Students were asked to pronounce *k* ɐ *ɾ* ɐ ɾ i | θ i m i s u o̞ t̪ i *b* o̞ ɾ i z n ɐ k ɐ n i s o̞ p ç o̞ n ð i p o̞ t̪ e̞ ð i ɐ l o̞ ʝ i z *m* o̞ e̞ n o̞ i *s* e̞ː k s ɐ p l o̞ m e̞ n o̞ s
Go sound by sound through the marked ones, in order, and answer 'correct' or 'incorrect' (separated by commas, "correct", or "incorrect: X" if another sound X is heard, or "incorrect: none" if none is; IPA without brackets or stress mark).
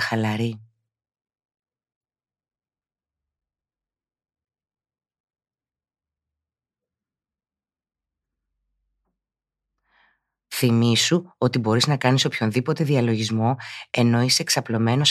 incorrect: x, incorrect: l, correct, correct, correct